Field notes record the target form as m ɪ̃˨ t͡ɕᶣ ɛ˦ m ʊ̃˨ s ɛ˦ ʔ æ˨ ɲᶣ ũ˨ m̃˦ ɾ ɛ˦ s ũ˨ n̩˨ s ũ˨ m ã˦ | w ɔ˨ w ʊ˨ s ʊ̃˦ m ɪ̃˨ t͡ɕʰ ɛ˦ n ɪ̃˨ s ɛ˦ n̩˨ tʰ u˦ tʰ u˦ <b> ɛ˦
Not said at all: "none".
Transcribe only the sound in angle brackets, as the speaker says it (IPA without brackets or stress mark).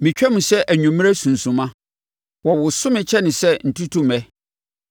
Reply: m